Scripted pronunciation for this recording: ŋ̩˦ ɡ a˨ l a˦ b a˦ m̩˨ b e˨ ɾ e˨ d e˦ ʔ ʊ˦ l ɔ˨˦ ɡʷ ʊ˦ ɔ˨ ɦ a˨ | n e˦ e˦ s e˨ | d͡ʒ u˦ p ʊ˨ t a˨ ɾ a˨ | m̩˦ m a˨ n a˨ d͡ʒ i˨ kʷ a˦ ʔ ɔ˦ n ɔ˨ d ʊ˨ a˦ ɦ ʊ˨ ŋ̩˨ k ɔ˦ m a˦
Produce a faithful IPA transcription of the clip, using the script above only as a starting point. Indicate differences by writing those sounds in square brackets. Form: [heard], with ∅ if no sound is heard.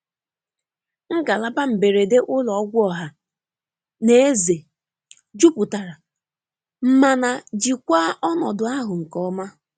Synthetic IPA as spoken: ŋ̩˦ ɡ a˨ l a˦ b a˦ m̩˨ b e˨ ɾ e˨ d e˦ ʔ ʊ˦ l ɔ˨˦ ɡʷ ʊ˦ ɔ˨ ɦ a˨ | n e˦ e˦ [z] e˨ | d͡ʒ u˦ p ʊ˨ t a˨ ɾ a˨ | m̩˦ m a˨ n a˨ d͡ʒ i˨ kʷ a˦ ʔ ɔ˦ n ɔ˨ d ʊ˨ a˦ ɦ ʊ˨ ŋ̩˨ k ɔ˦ m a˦